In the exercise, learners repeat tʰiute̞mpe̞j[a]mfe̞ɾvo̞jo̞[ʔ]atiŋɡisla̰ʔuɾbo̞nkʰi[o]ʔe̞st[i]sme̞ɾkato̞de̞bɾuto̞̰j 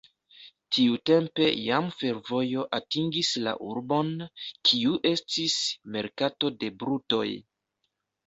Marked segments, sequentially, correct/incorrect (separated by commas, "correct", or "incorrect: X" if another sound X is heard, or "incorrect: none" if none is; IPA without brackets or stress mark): correct, correct, incorrect: u, correct